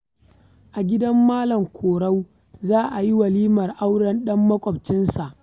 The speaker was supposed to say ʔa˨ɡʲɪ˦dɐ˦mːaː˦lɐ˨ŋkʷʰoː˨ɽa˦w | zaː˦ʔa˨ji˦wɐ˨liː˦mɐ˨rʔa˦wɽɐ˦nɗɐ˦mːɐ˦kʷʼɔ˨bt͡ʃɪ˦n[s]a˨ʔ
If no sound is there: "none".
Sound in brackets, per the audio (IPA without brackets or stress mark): s